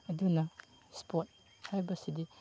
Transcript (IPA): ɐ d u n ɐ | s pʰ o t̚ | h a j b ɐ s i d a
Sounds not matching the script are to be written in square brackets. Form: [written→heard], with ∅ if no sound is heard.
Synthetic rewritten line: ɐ d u n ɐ | s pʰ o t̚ | h a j b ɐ s i d [a→i]